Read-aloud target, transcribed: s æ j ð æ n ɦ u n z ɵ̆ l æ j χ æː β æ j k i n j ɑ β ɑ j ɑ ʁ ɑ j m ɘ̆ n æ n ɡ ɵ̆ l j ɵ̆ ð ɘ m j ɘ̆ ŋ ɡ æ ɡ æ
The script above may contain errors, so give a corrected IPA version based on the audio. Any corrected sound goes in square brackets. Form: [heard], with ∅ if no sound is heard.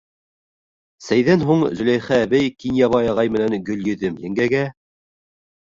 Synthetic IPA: s æ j ð æ n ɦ u [ɴ] z ɵ̆ l æ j χ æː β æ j k i n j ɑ β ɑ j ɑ ʁ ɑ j m ɘ̆ n æ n ɡ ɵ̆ l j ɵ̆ ð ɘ m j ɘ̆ ŋ ɡ æ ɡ æ

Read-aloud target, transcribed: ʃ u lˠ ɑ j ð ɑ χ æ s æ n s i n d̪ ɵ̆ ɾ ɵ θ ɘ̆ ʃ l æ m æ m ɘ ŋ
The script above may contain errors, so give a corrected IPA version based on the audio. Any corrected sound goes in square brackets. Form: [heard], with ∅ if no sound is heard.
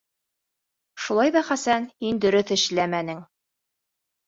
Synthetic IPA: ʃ u lˠ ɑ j ð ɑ χ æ s æ n [h] i n d̪ ɵ̆ ɾ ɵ θ ɘ̆ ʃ l æ m æ [n] ɘ ŋ

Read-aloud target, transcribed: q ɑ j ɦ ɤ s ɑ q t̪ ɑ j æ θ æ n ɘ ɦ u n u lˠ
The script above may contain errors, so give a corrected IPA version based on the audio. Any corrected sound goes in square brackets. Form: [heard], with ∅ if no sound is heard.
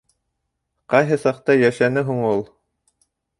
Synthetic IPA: q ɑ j ɦ ɤ s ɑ q t̪ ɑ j æ [ʃ] æ n ɘ ɦ u [ɴ] u lˠ

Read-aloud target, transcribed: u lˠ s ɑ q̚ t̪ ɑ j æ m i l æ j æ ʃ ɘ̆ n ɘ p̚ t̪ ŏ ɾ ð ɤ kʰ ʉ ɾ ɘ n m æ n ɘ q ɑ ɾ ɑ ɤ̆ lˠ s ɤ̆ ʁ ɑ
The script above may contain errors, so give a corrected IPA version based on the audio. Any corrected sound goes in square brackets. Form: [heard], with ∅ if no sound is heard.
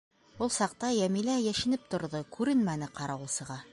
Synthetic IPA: u lˠ s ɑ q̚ t̪ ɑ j æ m i l æ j æ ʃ ɘ̆ n ɘ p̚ t̪ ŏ ɾ ð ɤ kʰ ʉ ɾ ɘ n m æ n ɘ q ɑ ɾ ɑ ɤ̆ lˠ s ɤ̆ ʁ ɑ

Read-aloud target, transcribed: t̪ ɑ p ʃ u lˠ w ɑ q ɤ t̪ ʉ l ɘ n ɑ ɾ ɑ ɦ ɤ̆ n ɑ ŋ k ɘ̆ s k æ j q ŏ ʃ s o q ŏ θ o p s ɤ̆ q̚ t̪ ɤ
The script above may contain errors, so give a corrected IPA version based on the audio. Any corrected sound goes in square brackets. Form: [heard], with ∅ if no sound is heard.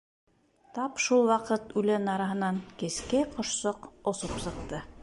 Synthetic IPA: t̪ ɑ p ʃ u lˠ w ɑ q ɤ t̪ ʉ l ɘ n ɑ ɾ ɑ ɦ ɤ̆ n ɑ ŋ k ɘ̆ s k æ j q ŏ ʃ s o q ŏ [s] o p s ɤ̆ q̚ t̪ ɤ

